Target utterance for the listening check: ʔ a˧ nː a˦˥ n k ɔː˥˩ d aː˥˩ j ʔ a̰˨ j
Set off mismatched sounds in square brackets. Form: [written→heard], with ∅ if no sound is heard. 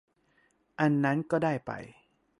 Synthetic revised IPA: ʔ a˧ nː a˦˥ n k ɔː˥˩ d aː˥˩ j [ʔ→p] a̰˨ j